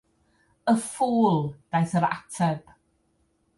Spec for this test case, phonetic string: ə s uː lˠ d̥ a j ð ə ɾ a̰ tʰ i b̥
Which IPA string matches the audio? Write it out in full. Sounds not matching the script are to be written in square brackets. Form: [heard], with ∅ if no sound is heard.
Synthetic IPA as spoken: ə [f] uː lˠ d̥ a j [θ] ə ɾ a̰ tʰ [ɛ] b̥